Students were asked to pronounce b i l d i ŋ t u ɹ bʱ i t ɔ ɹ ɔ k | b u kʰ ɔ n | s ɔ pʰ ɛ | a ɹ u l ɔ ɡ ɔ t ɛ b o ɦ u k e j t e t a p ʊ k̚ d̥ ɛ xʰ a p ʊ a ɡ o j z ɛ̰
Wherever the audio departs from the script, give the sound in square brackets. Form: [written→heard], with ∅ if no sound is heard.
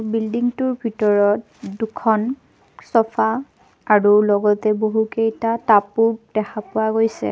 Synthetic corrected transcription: b i l d i ŋ t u ɹ bʱ i t ɔ ɹ ɔ [k→t] | [b→d] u kʰ ɔ n | s ɔ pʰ [ɛ→a] | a ɹ u l ɔ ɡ ɔ t ɛ b o ɦ u k e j t [e→a] t a p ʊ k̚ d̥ ɛ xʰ a p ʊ a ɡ o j [z→s] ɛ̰